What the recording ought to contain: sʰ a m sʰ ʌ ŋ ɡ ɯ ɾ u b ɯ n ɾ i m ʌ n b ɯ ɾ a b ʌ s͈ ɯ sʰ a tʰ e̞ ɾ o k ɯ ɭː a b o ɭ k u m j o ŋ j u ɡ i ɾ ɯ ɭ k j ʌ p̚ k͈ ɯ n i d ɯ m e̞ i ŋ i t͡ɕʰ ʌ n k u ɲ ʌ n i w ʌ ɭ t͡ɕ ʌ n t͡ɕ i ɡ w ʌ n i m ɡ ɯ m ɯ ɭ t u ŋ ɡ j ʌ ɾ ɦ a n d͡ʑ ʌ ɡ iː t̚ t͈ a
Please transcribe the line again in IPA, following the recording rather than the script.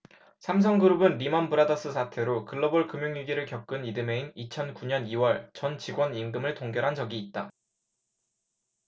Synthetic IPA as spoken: sʰ a m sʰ ʌ ŋ ɡ ɯ ɾ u b ɯ n ɾ i m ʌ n b ɯ ɾ a d ʌ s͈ ɯ sʰ a tʰ e̞ ɾ o k ɯ ɭː ʌ b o ɭ k ɯ m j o ŋ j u ɡ i ɾ ɯ ɭ k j ʌ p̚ k͈ ɯ n i d ɯ m e̞ i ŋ i t͡ɕʰ ʌ n k u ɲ ʌ n i w ʌ ɭ t͡ɕ ʌ n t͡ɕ i ɡ w ʌ n i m ɡ ɯ m ɯ ɭ t o ŋ ɡ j ʌ ɾ ɦ a n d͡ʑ ʌ ɡ iː t̚ t͈ a